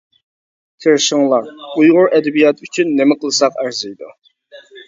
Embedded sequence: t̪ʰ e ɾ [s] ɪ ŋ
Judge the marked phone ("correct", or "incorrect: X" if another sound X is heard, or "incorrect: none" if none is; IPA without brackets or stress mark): incorrect: ʃ